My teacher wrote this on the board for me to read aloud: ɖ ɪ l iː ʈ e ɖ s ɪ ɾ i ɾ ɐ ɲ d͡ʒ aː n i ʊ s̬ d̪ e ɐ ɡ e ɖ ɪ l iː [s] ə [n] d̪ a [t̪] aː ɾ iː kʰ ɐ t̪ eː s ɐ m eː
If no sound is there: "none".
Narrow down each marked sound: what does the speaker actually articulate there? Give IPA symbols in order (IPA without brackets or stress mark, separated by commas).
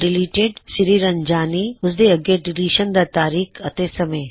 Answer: ʃ, n, t̪